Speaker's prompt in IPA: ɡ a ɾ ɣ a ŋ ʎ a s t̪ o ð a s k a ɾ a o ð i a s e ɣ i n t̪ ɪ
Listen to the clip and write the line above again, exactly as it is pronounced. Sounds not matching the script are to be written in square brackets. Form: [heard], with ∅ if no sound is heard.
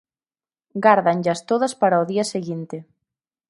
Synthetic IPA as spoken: ɡ a ɾ [ð] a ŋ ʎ a s t̪ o ð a s [p] a ɾ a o ð i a s e ɣ i n t̪ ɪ